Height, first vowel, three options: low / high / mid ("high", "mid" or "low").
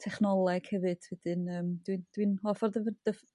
mid